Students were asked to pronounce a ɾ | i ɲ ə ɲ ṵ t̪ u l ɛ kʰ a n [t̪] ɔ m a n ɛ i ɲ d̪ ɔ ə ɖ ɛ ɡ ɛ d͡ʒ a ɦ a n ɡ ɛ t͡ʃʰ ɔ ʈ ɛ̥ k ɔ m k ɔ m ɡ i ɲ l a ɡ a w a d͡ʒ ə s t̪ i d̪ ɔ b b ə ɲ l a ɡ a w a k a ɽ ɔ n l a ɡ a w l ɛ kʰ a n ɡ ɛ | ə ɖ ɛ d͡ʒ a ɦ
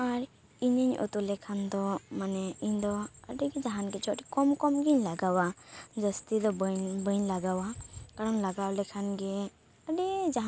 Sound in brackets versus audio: incorrect: d̪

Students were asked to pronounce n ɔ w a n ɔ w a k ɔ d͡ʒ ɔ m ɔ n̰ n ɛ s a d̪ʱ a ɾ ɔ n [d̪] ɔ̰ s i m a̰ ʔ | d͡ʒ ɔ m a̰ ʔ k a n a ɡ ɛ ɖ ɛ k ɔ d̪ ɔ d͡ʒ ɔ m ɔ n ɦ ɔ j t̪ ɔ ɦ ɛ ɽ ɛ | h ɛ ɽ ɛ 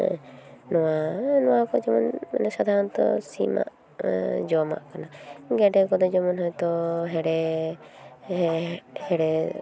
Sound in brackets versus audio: incorrect: t̪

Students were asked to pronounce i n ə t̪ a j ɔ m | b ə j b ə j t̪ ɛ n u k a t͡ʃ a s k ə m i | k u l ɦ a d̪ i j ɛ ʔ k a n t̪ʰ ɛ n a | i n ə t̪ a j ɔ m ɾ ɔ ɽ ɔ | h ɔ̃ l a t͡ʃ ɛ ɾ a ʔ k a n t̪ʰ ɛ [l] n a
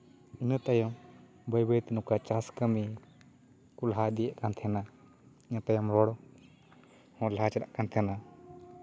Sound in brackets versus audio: incorrect: none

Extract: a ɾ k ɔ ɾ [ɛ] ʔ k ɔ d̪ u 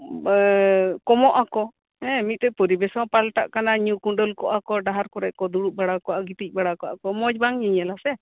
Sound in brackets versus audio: correct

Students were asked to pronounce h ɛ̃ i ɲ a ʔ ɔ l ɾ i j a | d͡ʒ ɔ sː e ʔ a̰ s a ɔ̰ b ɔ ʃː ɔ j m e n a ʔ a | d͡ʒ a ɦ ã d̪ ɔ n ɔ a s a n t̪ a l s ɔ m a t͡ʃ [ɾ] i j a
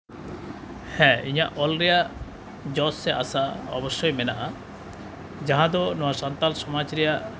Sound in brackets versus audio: correct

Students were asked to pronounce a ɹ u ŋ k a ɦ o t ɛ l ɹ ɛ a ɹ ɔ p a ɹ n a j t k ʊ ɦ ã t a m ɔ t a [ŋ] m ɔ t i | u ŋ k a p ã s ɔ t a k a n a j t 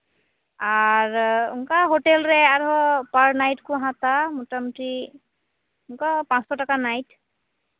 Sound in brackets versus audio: incorrect: none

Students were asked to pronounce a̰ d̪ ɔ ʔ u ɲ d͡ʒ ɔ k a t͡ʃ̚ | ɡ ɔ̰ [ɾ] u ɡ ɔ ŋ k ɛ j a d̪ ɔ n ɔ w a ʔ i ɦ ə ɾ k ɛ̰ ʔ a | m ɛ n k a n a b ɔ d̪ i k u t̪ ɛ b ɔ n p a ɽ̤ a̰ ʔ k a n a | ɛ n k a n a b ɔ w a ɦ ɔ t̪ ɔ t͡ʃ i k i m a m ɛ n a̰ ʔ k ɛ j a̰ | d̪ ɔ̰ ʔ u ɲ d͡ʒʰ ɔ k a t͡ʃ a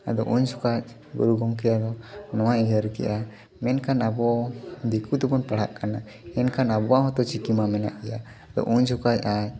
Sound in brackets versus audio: correct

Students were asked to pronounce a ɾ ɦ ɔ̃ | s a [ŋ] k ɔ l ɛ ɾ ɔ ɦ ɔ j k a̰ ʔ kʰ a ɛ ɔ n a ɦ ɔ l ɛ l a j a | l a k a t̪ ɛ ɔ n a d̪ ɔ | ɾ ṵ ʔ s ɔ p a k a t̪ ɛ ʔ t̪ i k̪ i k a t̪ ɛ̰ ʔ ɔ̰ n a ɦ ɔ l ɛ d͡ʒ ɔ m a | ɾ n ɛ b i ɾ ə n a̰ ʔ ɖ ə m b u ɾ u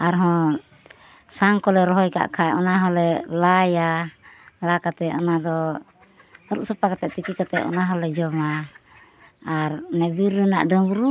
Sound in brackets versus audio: correct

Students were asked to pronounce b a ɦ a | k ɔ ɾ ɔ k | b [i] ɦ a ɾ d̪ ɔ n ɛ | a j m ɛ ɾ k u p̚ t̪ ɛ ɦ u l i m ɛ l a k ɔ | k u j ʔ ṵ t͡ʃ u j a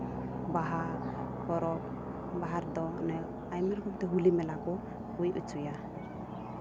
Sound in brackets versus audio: incorrect: a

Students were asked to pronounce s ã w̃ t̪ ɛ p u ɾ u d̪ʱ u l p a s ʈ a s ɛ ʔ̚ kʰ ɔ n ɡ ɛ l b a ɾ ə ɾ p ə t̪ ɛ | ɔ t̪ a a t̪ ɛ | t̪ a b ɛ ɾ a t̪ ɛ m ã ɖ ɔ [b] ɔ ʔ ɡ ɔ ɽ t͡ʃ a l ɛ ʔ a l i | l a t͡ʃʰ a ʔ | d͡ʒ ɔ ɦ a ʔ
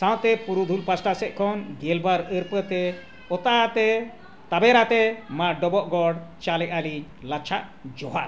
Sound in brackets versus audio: correct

